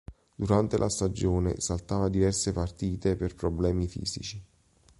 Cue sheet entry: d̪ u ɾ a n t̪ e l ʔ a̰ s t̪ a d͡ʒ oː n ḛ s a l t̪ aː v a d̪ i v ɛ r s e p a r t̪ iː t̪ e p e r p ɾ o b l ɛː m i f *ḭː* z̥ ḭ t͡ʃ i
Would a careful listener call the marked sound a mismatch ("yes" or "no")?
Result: no